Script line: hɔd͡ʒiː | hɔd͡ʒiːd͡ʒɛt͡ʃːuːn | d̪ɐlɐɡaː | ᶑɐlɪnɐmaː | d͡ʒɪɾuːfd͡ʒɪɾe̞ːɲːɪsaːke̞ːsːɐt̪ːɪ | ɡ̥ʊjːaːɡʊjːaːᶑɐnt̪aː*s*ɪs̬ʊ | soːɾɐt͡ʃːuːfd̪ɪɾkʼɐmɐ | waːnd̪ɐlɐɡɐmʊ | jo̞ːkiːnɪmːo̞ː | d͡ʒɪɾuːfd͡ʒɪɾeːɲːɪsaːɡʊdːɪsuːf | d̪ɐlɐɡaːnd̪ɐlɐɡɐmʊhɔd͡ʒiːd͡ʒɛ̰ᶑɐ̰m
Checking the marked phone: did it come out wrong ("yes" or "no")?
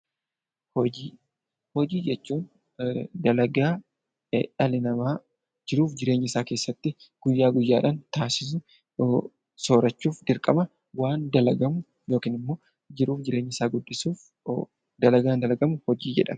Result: no